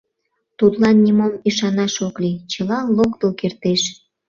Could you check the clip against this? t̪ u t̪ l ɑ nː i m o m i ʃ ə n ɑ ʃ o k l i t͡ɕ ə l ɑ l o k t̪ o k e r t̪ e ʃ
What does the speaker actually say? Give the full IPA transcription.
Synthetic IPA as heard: t̪ u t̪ l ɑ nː i m o m i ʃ ɑ n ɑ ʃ o k l i t͡ɕ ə l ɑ l o k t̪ o k e r t̪ e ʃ